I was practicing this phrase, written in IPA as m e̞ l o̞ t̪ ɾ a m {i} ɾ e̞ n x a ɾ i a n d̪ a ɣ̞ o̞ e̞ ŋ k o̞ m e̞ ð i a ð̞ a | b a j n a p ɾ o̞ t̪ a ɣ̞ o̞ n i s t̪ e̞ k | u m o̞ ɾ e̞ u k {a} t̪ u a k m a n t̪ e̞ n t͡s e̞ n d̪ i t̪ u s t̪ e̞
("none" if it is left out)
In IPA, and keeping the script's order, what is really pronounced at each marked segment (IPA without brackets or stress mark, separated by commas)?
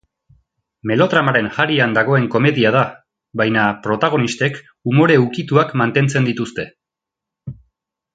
a, i